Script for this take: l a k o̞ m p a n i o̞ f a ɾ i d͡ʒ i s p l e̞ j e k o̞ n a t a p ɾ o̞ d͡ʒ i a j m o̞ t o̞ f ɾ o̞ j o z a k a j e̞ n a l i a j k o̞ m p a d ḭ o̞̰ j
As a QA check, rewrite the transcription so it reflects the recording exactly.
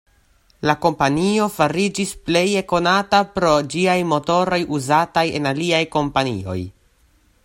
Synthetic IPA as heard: l a k o̞ m p a n i o̞ f a ɾ i d͡ʒ i s p l e̞ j e k o̞ n a t a p ɾ o̞ d͡ʒ i a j m o̞ t o̞ ɾ o̞ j u z a t a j e̞ n a l i a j k o̞ m p a n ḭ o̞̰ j